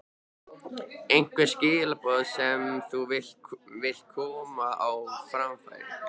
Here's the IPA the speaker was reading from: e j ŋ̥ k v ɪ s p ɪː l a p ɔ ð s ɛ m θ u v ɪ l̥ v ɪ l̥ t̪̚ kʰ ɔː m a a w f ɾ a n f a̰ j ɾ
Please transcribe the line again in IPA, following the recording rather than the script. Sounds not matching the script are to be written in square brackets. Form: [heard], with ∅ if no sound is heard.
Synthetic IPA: e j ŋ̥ k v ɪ s [c] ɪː l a p ɔ ð s ɛ m θ u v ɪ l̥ v ɪ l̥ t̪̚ kʰ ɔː m a a w f ɾ a [m] f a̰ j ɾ